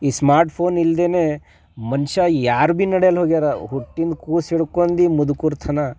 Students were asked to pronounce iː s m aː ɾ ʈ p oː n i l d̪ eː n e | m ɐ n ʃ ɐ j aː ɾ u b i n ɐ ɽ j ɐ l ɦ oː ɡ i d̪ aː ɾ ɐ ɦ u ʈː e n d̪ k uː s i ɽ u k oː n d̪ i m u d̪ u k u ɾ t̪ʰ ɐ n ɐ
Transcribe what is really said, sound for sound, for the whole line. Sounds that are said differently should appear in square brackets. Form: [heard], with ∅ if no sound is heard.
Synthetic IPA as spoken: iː s m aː ɾ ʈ [pʰ] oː n i l d̪ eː n e | m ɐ n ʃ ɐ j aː ɾ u b i n ɐ ɽ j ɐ l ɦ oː ɡ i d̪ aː ɾ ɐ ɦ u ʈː [i] n d̪ k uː s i ɽ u k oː n d̪ i m u d̪ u k u ɾ t̪ʰ ɐ n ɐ